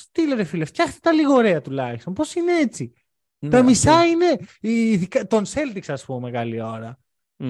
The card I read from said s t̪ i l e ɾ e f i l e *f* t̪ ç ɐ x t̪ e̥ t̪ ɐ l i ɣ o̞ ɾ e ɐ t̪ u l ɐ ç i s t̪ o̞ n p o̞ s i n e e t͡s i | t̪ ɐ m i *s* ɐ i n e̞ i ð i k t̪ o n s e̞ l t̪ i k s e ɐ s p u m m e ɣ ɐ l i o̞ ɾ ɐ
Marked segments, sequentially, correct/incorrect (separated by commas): correct, correct